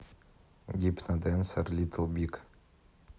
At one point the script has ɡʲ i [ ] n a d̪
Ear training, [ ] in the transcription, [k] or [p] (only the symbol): p